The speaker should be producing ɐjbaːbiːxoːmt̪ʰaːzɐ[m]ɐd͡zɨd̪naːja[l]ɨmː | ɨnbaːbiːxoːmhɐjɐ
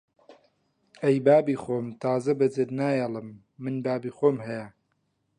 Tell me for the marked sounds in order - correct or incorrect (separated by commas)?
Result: incorrect, correct